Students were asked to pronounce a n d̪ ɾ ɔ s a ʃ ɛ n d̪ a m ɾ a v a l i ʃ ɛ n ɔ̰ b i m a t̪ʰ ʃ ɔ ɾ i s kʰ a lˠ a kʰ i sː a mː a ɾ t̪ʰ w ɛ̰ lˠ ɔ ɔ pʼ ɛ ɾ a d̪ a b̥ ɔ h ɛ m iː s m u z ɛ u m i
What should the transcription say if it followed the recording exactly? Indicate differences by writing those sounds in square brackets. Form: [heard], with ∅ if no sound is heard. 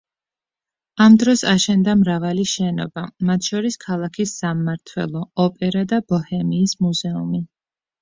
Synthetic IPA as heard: a [m] d̪ ɾ ɔ s a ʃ ɛ n d̪ a m ɾ a v a l i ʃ ɛ n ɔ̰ b [a] m a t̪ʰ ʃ ɔ ɾ i s kʰ a lˠ a kʰ i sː a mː a ɾ t̪ʰ w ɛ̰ lˠ ɔ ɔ pʼ ɛ ɾ a d̪ a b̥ ɔ h ɛ m iː s m u z ɛ u m i